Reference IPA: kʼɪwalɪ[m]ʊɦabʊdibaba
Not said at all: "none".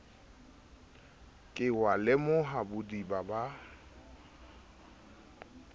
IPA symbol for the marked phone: m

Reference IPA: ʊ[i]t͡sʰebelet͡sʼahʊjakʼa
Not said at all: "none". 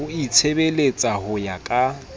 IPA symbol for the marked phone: i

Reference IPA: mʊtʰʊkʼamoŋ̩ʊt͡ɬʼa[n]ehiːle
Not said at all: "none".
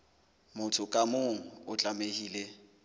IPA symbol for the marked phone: m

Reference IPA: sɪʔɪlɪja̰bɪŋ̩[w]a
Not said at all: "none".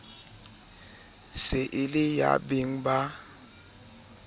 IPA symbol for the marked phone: b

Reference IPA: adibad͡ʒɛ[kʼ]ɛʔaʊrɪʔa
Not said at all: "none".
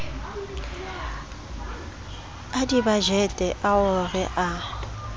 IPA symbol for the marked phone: tʼ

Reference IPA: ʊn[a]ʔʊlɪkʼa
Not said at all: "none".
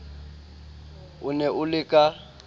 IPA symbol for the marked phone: ɛ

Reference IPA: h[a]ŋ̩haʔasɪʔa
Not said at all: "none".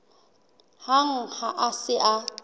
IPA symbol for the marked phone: a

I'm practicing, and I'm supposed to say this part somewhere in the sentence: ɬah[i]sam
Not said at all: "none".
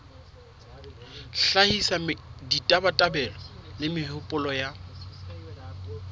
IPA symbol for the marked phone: i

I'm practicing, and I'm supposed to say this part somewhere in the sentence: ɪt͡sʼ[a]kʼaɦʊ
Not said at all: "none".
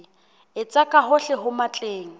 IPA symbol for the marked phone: a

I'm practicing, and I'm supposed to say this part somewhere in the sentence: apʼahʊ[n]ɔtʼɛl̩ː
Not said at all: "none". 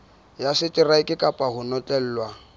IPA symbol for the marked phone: n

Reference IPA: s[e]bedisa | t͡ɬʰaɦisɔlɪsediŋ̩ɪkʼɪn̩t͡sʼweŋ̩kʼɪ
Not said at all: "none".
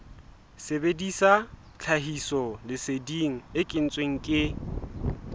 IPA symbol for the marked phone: e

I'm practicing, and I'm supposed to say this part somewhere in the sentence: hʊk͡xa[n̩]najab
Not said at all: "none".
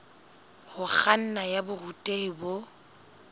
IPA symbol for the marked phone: n̩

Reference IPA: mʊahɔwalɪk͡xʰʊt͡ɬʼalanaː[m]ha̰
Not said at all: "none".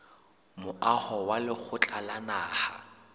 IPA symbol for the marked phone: none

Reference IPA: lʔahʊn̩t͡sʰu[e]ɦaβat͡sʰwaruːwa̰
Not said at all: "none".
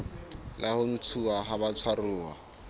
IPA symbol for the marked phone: a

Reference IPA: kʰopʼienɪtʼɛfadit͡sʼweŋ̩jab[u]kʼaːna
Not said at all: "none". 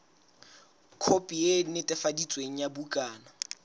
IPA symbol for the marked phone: u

